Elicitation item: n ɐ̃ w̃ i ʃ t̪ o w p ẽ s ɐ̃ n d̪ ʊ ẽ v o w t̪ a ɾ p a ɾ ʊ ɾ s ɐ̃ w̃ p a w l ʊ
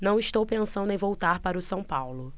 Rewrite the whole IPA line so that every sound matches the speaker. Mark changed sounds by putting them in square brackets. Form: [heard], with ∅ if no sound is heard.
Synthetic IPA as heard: n ɐ̃ w̃ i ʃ t̪ o w p ẽ s ɐ̃ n d̪ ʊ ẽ v o w t̪ a ɾ p a ɾ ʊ [∅] s ɐ̃ w̃ p a w l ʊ